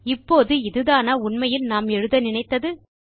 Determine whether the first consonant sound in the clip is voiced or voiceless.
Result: voiceless